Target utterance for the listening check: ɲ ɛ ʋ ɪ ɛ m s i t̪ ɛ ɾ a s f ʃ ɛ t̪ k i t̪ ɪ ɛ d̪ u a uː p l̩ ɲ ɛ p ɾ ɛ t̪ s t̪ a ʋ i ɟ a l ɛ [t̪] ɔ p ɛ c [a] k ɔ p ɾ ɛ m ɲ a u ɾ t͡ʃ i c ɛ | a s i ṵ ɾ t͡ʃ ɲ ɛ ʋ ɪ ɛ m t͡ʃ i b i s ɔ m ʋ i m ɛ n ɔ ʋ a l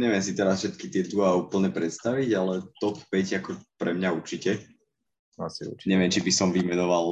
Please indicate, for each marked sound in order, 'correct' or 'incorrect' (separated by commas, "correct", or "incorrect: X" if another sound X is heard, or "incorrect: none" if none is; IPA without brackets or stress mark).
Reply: correct, correct